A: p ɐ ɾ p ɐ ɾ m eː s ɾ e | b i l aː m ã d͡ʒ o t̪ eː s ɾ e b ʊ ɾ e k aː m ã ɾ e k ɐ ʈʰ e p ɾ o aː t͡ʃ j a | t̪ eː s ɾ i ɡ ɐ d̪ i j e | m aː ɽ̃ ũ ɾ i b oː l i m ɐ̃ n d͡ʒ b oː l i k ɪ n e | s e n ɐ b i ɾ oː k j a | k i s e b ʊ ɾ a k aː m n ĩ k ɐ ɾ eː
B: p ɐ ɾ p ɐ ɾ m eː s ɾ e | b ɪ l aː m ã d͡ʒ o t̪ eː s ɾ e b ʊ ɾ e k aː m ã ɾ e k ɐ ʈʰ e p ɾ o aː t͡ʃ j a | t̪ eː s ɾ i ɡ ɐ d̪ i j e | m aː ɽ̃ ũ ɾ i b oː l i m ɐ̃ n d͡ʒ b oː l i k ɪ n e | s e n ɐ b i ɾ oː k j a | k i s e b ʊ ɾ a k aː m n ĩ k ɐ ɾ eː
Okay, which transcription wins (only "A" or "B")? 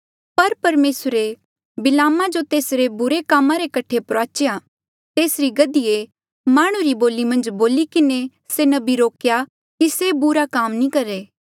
B